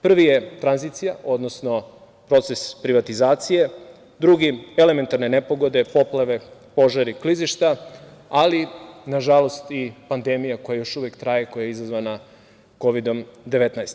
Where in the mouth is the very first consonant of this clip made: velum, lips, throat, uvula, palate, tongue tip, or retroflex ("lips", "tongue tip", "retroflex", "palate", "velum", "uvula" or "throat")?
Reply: lips